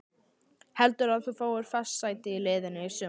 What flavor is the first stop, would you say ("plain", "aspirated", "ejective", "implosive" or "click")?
plain